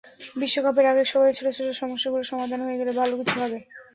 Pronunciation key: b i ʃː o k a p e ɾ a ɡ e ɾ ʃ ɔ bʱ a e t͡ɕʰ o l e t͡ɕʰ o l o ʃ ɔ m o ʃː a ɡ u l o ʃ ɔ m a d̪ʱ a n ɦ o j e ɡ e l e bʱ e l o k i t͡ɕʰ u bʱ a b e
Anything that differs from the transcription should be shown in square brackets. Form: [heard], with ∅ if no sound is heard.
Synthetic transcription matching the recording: b i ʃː o k a p e ɾ a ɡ e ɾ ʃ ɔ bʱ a e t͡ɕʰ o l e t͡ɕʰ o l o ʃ ɔ m o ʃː a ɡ u l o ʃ ɔ m a d̪ʱ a n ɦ o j e ɡ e l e bʱ [a] l o k i t͡ɕʰ u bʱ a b e